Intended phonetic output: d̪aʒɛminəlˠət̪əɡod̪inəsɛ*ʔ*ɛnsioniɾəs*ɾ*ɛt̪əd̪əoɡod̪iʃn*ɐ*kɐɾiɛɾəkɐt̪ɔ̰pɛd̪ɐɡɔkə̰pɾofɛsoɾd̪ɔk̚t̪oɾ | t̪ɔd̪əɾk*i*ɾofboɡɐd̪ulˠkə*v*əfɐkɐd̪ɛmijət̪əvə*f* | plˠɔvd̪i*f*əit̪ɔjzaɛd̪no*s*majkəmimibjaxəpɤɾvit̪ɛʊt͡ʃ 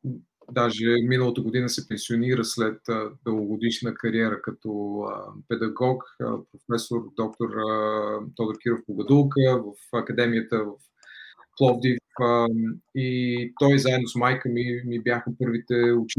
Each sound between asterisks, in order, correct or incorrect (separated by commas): incorrect, incorrect, incorrect, correct, correct, correct, correct, correct